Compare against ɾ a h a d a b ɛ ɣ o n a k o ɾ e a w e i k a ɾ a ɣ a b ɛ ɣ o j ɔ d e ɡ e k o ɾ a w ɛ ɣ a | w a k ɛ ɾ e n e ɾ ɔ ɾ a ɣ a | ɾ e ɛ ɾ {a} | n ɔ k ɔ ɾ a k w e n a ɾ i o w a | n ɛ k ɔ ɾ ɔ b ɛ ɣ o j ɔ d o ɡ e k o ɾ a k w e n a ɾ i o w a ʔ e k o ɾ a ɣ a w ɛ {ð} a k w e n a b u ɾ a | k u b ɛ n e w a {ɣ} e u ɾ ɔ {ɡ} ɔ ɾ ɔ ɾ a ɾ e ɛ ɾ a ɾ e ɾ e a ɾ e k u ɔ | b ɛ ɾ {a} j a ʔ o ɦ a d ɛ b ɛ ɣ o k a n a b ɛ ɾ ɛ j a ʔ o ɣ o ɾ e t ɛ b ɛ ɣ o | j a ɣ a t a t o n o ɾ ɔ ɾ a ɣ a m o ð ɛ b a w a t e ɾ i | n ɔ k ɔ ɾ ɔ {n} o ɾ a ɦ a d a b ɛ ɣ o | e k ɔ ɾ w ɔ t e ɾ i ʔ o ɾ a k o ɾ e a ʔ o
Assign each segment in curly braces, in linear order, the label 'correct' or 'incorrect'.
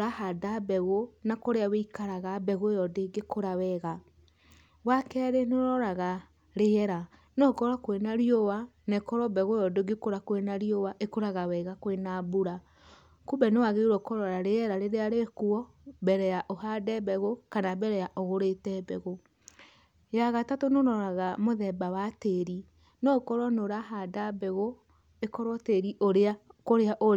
correct, incorrect: ɣ, correct, incorrect: k, incorrect: ɛ, correct

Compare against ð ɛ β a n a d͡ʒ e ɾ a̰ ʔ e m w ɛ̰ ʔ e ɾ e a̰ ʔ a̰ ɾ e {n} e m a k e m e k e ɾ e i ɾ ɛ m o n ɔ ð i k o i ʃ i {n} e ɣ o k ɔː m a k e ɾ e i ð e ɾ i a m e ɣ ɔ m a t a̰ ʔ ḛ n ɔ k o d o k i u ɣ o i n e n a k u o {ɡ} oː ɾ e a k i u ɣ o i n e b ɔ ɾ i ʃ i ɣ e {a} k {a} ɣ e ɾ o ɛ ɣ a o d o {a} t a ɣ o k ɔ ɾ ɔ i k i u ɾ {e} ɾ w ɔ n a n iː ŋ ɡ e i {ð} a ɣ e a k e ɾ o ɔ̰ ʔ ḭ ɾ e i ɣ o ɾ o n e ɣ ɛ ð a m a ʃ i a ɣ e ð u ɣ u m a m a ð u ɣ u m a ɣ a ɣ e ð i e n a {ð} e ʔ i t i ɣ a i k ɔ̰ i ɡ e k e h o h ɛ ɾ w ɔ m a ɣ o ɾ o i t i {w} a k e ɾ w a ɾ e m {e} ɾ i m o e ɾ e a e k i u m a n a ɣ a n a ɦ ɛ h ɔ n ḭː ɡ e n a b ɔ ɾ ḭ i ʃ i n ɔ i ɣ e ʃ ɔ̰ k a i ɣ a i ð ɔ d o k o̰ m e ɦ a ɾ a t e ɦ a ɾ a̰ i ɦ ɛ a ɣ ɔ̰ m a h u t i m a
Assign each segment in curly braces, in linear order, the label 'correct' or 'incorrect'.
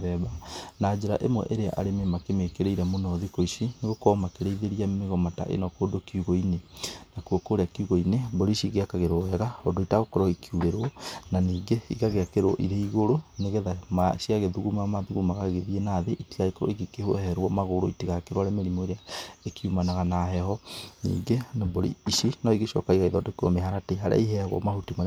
incorrect: m, correct, incorrect: k, correct, correct, incorrect: i, correct, incorrect: ɣ, correct, incorrect: ɣ, correct

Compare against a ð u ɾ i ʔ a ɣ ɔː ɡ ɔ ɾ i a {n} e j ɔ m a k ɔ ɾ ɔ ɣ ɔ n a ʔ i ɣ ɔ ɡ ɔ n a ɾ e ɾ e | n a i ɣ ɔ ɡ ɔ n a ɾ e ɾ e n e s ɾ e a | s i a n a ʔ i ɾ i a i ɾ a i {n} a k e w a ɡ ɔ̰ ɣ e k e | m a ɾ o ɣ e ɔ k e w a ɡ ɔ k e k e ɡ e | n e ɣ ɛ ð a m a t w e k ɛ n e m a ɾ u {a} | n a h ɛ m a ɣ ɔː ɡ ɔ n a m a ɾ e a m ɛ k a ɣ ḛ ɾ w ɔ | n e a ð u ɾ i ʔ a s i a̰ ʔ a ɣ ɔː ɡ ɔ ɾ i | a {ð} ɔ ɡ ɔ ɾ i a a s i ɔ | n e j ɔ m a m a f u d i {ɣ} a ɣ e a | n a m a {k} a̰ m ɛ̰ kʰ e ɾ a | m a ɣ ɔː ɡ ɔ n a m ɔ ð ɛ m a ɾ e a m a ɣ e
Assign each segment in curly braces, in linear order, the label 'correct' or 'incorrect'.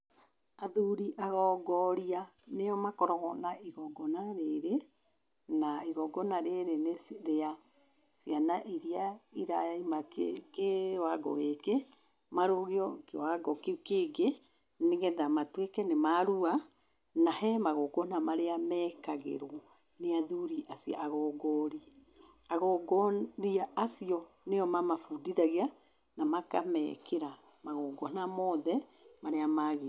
correct, incorrect: m, correct, incorrect: ɣ, incorrect: ð, correct

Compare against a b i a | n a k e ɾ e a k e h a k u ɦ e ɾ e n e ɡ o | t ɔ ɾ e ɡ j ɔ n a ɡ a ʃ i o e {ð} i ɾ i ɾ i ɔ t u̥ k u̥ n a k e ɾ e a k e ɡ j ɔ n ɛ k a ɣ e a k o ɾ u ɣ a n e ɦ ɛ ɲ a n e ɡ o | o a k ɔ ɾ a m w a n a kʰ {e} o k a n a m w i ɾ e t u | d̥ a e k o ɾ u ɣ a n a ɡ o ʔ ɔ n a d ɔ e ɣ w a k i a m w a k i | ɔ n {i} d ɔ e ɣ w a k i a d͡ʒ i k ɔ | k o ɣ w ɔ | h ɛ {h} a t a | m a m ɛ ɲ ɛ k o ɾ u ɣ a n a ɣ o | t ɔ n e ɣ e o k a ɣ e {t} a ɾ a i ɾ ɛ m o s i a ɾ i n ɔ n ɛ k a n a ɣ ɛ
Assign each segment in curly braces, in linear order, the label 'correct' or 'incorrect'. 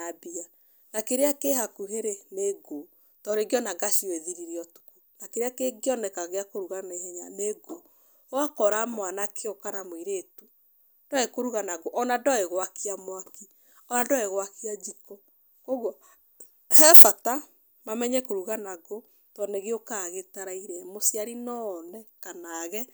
correct, correct, incorrect: a, incorrect: f, correct

